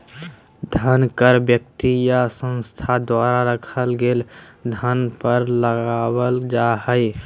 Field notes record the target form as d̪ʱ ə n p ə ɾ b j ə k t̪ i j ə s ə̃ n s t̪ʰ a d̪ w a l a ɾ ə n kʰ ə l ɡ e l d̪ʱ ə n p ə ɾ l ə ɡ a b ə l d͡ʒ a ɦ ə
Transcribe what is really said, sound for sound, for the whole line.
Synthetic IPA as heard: d̪ʱ ə n k ə ɾ b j ə k t̪ i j a s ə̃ n s t̪ʰ a d̪ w a ɾ a ɾ ə kʰ ə l ɡ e l d̪ʱ ə n p ə ɾ l ə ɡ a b ə l d͡ʒ a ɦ ə